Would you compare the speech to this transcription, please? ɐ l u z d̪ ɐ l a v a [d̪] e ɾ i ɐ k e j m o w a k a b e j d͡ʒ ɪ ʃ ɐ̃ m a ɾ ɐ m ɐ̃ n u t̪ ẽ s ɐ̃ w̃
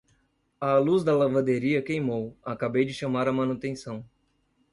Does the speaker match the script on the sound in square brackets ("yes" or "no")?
yes